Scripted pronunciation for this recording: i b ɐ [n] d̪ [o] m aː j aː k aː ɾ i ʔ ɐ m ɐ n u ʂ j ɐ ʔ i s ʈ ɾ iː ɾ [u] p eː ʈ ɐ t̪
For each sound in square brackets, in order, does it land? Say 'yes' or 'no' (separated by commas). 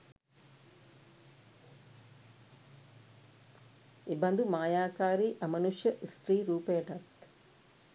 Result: yes, no, no